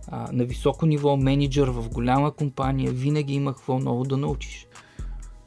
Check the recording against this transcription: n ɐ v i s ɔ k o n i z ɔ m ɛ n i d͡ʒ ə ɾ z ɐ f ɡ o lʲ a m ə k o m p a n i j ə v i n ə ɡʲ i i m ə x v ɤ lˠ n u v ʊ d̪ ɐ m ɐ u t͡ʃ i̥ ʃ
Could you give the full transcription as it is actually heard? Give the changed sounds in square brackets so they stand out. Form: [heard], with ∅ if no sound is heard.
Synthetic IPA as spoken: n ɐ v i s ɔ k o n i [v] ɔ m ɛ n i d͡ʒ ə ɾ [v] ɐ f ɡ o lʲ a m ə k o m p a n i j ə v i n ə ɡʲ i i m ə x v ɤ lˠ n [ɔ] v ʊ d̪ ɐ [n] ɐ u t͡ʃ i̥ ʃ